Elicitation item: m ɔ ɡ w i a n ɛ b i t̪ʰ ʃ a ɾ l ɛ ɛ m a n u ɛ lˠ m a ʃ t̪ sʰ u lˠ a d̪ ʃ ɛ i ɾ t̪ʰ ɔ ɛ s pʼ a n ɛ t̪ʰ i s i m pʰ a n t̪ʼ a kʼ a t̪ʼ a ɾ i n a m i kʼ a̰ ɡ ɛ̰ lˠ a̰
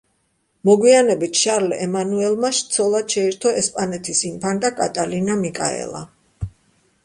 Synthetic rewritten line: m ɔ ɡ w i a n ɛ b i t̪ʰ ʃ a ɾ l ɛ ɛ m a n u ɛ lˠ m a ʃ t̪ sʰ ɔ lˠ a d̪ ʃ ɛ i ɾ t̪ʰ ɔ ɛ s pʼ a n ɛ t̪ʰ i s i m pʰ a n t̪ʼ a kʼ a t̪ʼ a l i n a m i kʼ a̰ ɛ̰ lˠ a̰